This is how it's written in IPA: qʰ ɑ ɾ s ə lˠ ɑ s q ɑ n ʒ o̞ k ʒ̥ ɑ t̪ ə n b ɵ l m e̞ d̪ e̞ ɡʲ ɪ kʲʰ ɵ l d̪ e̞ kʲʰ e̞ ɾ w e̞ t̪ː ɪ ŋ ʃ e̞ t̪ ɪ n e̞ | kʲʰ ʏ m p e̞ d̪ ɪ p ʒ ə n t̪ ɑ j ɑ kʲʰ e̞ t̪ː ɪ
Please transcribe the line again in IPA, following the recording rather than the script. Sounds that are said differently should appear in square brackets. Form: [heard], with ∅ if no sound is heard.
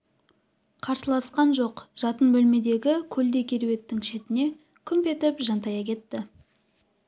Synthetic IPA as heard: qʰ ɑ ɾ s ə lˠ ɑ s q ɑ n ʒ o̞ [q] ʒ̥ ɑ t̪ ə n b ɵ l m e̞ d̪ e̞ ɡʲ ɪ kʲʰ ɵ l d̪ e̞ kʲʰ e̞ ɾ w e̞ t̪ː ɪ ŋ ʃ e̞ t̪ ɪ n e̞ | kʲʰ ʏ m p e̞ [t̪] ɪ p ʒ [ɑ] n t̪ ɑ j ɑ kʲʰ e̞ t̪ː ɪ